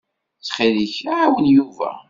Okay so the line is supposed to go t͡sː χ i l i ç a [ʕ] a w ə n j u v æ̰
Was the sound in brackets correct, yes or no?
yes